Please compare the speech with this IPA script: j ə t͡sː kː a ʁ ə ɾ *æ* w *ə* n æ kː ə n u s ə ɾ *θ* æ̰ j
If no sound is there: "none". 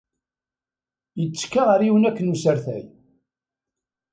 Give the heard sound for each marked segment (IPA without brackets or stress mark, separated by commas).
i, ə, θ